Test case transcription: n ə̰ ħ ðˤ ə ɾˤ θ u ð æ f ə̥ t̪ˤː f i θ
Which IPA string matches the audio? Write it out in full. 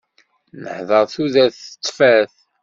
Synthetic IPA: n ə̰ ħ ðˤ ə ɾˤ θ u ð æ θ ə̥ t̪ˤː f æ θ